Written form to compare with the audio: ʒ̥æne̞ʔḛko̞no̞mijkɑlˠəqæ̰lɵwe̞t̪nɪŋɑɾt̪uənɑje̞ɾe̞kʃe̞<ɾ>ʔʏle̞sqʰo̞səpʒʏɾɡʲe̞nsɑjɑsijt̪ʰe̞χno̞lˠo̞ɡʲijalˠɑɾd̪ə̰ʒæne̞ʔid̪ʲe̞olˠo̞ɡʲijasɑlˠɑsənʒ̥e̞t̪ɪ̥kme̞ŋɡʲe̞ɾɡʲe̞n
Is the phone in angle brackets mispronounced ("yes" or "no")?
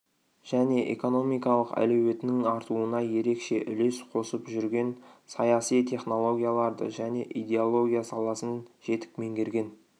yes